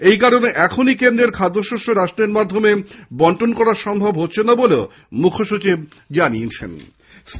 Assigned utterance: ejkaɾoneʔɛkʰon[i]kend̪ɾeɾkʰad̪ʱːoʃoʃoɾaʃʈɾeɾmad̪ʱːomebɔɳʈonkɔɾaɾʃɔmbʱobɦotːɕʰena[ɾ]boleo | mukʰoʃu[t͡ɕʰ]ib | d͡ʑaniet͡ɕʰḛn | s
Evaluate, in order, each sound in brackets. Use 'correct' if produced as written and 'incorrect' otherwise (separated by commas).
correct, incorrect, incorrect